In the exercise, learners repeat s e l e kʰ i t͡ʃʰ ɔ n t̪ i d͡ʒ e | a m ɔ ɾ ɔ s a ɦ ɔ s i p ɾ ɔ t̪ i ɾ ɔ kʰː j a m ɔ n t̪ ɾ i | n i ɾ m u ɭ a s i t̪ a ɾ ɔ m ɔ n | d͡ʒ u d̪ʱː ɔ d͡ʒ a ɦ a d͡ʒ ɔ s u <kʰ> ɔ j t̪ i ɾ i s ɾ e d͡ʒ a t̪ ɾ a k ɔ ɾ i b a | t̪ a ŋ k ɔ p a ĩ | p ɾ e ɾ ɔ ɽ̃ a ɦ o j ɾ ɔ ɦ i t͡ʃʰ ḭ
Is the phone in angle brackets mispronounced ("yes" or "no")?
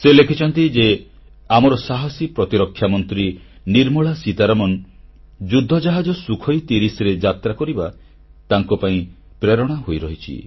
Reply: no